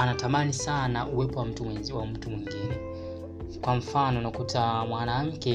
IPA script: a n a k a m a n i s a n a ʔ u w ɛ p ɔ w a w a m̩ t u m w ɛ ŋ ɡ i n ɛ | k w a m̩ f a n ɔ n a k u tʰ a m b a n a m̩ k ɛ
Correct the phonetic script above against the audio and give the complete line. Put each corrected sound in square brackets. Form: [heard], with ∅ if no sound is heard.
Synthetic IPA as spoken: a n a [t] a m a n i s a n a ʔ u w ɛ p ɔ w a w a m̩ t u m w [i] ŋ ɡ i n ɛ | k w a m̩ f a n ɔ n a k u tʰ a m [w] a n a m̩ k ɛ